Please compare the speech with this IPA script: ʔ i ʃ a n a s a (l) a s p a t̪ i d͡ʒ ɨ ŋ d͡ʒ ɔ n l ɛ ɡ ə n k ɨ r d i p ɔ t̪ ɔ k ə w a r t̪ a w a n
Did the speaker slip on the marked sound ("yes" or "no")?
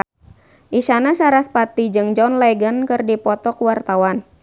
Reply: yes